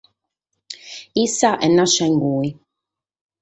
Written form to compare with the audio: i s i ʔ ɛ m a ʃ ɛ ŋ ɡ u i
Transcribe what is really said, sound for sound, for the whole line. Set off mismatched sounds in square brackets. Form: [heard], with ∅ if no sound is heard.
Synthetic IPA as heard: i s [a] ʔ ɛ [n] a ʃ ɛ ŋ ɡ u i